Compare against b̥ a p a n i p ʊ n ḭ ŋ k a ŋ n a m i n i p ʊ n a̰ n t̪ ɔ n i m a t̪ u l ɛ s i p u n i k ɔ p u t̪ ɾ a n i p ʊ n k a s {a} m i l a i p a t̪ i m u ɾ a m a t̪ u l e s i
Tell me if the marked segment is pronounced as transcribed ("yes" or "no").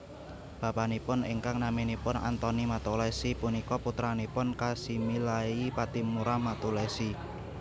no